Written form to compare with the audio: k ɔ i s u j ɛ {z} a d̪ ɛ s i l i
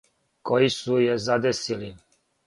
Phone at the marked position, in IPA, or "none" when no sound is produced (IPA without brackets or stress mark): z